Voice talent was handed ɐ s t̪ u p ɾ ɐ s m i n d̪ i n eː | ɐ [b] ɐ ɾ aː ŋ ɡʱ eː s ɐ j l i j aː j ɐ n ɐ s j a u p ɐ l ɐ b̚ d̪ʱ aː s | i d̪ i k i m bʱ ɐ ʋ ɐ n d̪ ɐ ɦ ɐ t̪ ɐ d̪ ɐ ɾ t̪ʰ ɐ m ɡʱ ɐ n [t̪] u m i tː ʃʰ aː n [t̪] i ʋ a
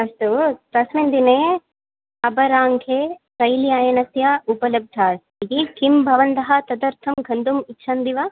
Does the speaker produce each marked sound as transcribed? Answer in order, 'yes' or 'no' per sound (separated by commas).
yes, no, no